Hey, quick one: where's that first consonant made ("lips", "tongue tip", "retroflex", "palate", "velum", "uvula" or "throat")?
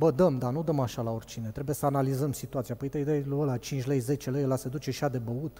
lips